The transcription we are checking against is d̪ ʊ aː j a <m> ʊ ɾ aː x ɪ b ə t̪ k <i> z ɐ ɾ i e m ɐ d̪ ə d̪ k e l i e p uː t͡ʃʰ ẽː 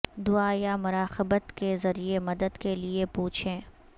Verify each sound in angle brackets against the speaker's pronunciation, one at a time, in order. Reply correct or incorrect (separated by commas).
correct, incorrect